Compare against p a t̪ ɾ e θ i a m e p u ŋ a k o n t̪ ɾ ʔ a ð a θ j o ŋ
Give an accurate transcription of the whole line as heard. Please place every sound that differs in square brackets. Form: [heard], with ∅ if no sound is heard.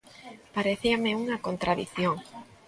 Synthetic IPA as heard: p a [∅] ɾ e θ i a m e [∅] u ŋ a k o n t̪ ɾ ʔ a ð [i] θ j o ŋ